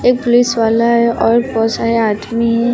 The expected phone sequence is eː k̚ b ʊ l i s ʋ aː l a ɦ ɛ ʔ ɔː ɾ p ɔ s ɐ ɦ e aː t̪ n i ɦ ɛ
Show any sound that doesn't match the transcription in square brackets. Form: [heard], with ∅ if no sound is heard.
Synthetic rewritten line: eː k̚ [p] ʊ l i s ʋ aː l a ɦ ɛ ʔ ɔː ɾ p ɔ s [a] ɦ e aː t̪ [m] i ɦ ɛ